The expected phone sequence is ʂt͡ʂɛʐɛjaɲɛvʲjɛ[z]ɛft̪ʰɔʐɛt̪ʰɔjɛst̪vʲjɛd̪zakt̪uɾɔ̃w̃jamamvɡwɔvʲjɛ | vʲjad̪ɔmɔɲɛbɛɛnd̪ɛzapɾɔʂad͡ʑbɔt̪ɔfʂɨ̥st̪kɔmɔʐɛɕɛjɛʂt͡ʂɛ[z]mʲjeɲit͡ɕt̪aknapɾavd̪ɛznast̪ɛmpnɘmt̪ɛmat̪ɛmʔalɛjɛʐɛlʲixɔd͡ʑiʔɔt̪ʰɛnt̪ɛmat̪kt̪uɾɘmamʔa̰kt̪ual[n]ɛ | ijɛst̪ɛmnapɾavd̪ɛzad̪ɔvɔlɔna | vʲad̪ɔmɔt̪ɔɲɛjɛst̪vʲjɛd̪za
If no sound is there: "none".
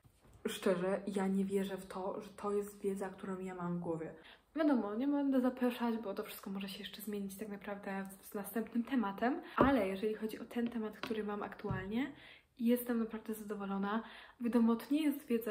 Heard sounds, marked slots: ʐ, z, ɲ

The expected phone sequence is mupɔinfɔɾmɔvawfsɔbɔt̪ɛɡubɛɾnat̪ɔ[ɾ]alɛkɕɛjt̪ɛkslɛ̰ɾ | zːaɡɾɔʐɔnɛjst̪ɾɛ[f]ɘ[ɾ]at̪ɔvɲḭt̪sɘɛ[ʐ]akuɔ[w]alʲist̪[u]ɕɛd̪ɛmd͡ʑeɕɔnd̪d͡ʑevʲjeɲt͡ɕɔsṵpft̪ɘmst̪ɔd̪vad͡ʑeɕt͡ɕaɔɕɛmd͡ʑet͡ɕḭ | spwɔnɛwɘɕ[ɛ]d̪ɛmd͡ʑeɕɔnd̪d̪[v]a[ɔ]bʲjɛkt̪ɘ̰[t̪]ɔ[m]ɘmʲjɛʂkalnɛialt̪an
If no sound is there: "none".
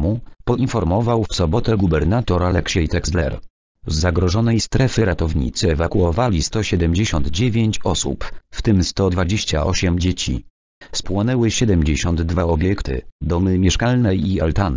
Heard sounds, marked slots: ɾ, f, ɾ, v, v, ɔ, ɛ, v, ɔ, d̪, m

